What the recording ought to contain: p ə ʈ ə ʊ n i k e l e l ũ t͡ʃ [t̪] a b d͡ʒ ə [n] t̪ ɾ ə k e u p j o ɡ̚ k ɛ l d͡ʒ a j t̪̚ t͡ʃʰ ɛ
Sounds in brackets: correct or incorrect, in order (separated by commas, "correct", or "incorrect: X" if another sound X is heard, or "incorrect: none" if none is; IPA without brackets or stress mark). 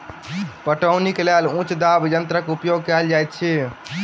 incorrect: d̪, correct